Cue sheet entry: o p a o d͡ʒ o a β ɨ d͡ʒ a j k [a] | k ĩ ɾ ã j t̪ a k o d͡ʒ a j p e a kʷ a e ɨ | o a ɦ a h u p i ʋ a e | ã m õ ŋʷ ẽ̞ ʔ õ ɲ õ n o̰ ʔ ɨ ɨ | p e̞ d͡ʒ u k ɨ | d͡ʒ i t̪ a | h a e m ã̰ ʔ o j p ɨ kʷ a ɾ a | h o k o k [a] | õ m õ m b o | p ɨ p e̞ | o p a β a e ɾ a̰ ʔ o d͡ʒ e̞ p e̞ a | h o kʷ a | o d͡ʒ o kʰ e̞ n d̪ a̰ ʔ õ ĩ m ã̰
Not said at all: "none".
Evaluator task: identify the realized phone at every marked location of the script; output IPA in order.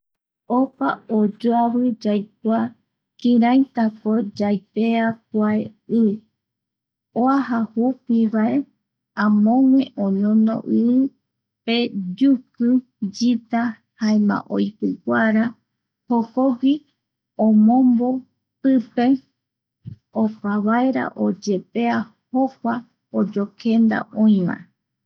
a, i

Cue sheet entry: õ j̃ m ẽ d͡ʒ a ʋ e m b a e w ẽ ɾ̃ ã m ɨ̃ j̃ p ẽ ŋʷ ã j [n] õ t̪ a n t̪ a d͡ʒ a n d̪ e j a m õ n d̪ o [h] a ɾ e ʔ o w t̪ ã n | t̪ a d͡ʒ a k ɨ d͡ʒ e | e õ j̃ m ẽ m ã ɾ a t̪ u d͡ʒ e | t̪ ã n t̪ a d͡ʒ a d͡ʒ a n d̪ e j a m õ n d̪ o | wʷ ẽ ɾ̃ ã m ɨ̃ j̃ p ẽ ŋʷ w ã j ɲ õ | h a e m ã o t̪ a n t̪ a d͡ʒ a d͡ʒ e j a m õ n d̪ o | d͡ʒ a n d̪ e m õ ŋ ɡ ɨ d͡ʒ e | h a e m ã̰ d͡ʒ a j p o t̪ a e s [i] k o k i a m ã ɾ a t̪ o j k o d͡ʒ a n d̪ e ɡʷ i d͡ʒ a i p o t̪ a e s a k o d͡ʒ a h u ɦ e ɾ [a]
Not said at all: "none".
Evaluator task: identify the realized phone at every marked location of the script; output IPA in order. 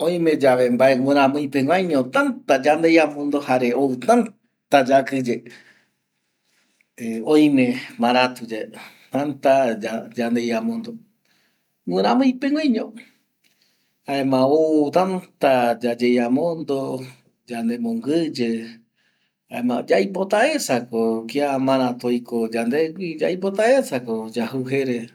ɲ, h, a, e

